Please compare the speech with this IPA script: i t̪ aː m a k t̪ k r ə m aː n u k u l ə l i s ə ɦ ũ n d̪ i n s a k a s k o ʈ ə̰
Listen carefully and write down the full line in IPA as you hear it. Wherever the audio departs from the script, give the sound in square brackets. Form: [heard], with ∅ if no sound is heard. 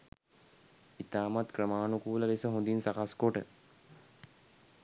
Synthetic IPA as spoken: i t̪ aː m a [∅] t̪ k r ə m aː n u k [uː] l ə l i s ə ɦ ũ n d̪ i n s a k a s k o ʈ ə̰